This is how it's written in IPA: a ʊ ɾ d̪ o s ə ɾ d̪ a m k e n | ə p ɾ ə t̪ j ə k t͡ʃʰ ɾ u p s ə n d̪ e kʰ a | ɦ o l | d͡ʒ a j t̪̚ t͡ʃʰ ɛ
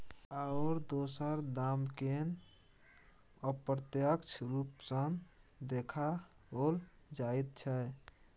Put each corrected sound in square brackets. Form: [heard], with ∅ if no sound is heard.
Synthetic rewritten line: a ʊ ɾ d̪ o s ə ɾ d̪ a m k e n | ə p ɾ ə t̪ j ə k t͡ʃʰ ɾ u p s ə n d̪ e kʰ a | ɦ o l | d͡ʒ a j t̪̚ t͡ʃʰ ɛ